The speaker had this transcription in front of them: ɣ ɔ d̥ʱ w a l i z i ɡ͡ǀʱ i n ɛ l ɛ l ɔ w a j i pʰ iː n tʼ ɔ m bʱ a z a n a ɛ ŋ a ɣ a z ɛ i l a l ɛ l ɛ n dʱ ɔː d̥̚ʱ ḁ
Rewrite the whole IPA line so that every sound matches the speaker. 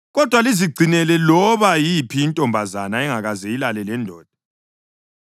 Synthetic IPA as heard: ɣ ɔ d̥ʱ w a l i z i ɡ͡ǀʱ i n ɛ l ɛ l ɔ β a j i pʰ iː n tʼ ɔ m bʱ a z a n a ɛ ŋ a ɣ a z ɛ i l a l ɛ l ɛ n dʱ ɔː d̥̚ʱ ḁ